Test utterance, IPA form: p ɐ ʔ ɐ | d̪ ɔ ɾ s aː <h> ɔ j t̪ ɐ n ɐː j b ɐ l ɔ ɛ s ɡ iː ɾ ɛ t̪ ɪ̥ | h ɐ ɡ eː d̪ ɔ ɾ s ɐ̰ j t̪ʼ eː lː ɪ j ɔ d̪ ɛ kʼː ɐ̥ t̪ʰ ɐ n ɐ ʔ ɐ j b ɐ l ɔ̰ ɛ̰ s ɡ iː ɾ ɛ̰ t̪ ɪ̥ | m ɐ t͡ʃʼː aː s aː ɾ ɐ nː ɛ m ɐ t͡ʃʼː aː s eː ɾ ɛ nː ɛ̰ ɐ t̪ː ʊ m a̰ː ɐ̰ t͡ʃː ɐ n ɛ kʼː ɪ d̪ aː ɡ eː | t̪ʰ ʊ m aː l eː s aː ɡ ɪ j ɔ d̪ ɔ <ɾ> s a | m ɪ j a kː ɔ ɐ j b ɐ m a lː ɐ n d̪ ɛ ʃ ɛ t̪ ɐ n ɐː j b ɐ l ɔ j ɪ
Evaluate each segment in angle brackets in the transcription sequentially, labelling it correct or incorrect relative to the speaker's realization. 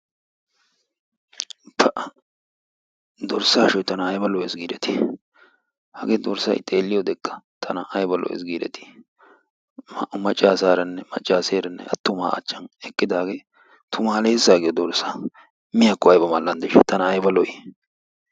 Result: incorrect: ʃ, correct

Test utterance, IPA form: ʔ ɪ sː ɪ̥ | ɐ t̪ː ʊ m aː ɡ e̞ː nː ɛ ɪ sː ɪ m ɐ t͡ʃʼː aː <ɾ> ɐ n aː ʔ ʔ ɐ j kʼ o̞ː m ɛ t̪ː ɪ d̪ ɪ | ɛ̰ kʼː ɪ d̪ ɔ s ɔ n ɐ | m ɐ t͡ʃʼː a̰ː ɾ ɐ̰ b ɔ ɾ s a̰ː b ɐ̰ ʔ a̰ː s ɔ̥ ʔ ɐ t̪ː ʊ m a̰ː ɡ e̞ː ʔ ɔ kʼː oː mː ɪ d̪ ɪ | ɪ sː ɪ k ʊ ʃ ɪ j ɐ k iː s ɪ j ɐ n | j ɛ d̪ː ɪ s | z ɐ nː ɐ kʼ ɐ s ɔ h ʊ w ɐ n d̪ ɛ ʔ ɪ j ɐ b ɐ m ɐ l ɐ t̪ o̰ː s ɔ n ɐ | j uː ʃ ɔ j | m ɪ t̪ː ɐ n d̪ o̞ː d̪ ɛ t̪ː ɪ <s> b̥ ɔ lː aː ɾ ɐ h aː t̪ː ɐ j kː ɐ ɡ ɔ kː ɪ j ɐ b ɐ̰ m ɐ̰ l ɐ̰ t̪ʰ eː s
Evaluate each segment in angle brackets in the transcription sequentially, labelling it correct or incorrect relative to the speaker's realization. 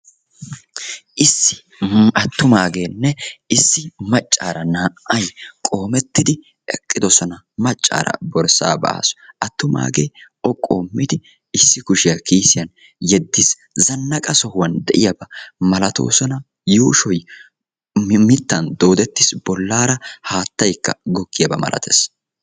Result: correct, correct

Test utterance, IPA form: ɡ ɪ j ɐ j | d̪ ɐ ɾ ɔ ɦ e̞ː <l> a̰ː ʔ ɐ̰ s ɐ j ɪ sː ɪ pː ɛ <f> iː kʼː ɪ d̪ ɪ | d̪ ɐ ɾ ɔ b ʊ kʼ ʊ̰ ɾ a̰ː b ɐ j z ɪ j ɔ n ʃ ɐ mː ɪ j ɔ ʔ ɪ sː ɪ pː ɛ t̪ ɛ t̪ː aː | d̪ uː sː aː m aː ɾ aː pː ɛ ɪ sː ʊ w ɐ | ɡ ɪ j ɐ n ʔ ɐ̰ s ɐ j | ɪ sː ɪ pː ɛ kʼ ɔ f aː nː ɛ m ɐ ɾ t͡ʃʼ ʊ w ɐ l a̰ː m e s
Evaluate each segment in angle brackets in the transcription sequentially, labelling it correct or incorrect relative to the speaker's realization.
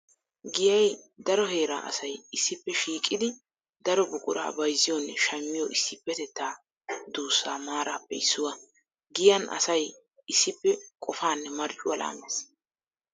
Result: incorrect: ɾ, incorrect: ʃ

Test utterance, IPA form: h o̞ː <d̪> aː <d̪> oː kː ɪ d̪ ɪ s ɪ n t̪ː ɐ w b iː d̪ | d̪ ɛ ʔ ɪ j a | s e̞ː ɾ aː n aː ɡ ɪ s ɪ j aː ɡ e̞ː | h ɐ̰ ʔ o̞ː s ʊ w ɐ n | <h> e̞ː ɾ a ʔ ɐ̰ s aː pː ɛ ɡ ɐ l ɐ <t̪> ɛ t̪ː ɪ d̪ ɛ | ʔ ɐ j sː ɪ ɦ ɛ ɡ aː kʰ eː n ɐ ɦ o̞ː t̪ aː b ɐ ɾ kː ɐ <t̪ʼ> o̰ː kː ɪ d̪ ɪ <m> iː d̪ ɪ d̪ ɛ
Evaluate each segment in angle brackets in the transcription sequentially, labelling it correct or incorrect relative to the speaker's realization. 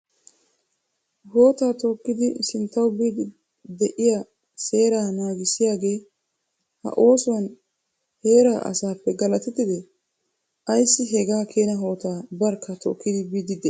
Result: incorrect: t̪, incorrect: t̪, correct, correct, incorrect: t̪, incorrect: b

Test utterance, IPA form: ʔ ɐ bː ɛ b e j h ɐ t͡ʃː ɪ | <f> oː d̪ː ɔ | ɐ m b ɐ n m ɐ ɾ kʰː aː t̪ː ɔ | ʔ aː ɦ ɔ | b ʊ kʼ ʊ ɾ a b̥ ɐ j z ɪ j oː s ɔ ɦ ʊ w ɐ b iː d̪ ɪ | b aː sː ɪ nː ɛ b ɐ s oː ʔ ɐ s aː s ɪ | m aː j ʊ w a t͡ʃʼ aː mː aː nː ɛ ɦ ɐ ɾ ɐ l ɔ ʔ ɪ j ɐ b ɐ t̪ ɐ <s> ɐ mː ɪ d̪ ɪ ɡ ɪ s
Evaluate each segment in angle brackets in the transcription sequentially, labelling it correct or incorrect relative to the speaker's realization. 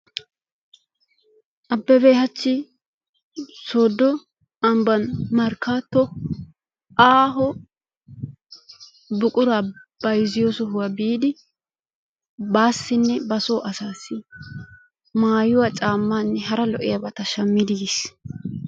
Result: incorrect: s, incorrect: ʃ

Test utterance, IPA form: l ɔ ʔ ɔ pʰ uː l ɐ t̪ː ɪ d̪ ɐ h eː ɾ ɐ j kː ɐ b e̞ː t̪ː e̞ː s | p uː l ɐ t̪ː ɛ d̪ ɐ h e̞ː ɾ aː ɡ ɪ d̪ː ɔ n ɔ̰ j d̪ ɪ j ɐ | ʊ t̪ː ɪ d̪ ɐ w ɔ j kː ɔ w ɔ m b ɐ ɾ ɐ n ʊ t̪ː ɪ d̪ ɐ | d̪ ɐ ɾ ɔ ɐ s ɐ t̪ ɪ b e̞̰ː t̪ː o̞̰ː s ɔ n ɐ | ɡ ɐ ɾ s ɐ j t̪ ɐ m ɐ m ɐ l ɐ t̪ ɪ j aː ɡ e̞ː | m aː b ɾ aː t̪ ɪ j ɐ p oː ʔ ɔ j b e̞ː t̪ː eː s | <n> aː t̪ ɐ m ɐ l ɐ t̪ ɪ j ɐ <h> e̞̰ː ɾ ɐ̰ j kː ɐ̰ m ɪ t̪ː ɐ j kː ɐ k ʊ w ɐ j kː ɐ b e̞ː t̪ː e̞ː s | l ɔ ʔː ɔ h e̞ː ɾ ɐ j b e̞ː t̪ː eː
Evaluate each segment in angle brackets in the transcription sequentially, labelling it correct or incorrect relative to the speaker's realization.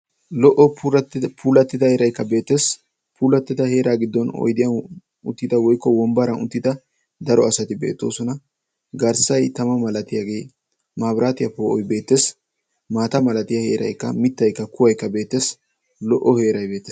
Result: incorrect: m, correct

